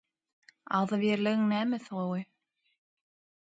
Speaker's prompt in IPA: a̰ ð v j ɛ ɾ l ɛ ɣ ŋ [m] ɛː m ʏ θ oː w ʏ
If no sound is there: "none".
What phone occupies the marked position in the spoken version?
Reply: n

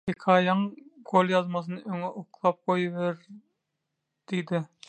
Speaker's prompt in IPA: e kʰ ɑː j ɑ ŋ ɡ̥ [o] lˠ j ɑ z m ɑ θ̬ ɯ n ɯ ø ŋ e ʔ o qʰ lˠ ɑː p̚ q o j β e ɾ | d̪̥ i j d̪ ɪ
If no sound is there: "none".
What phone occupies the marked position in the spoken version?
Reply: o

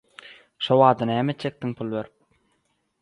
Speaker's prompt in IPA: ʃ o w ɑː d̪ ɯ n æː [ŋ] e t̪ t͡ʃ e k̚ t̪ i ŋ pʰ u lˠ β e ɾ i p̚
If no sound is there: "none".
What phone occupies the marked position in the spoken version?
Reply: m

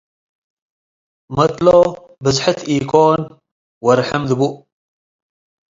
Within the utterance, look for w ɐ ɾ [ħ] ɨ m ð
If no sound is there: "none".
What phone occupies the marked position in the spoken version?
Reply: ħ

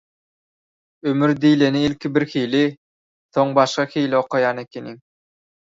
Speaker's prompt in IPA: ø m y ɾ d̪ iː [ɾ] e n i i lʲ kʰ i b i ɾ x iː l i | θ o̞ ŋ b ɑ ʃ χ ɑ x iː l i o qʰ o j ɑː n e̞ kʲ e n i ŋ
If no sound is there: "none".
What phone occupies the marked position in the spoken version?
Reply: l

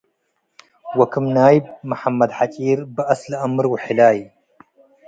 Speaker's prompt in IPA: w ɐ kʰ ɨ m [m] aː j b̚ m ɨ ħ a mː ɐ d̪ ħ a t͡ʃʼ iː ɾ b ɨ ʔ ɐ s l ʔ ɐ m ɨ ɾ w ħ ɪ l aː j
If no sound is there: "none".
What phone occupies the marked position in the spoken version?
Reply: n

